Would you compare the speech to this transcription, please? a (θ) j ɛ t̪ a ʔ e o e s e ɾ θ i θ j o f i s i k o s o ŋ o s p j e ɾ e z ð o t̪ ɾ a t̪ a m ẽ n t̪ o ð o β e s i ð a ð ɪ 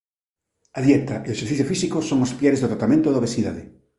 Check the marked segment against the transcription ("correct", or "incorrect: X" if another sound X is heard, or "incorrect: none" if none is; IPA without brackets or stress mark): incorrect: ð